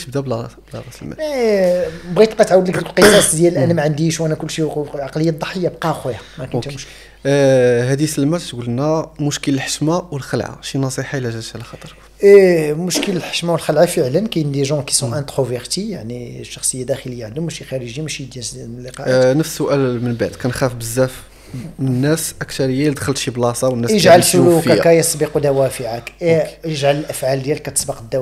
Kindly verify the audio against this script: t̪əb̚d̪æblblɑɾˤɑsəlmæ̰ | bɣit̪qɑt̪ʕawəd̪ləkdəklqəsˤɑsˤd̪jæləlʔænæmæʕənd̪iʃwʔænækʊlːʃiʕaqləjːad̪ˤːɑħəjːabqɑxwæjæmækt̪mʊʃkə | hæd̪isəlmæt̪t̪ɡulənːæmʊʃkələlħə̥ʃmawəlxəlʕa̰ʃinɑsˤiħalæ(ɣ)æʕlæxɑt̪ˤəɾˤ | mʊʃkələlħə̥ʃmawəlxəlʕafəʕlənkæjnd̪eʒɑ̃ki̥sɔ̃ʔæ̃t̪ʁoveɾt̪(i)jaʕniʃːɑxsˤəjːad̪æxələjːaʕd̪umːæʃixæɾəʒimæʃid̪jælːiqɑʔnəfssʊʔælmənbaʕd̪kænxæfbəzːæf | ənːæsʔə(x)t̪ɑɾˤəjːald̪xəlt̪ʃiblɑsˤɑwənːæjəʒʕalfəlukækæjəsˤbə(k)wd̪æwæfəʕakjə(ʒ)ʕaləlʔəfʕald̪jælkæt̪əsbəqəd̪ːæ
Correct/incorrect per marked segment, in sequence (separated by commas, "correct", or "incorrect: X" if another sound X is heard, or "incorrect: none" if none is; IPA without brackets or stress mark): incorrect: ʒ, correct, incorrect: k, incorrect: q, correct